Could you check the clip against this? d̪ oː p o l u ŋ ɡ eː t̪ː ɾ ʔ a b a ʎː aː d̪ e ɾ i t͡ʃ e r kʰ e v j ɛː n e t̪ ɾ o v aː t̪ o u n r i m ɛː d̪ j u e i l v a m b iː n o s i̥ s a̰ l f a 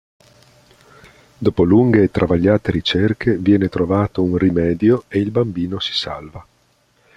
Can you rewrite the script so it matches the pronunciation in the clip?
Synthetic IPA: d̪ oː p o l u ŋ ɡ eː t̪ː ɾ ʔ a v a ʎː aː t̪ e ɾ i t͡ʃ e r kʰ e v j ɛː n e t̪ ɾ o v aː t̪ o u n r i m ɛː d̪ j o e i l b a m b iː n o s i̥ s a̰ l v a